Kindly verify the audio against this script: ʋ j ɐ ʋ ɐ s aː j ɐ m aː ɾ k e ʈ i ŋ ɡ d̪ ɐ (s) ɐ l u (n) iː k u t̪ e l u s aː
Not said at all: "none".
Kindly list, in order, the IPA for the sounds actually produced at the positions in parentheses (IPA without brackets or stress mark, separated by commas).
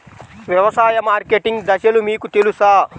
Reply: ʃ, m